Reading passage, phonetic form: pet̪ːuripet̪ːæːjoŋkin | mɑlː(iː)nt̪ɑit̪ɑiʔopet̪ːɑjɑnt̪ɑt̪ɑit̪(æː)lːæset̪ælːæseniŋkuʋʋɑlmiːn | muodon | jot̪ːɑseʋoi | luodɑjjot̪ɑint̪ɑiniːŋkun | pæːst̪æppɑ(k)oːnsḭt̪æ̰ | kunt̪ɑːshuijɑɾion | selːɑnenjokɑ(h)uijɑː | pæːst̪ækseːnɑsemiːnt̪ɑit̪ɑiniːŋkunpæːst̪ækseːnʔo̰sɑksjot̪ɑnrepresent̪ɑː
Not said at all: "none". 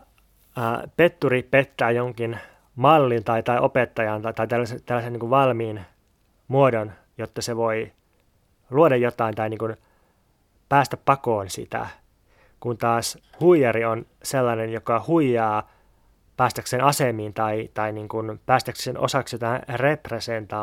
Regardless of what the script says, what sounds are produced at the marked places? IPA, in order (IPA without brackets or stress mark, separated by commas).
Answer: i, æ, k, h